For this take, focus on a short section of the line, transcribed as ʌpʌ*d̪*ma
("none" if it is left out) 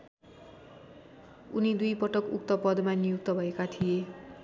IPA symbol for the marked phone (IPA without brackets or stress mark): d̪